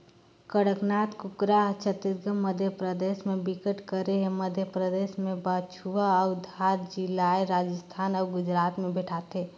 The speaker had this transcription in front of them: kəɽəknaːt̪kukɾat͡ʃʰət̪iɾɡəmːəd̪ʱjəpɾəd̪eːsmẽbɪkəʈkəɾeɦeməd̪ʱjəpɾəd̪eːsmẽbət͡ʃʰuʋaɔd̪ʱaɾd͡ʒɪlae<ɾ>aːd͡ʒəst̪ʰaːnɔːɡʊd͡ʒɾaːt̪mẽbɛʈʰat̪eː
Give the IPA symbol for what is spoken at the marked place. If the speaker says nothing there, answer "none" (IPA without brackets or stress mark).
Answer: ɾ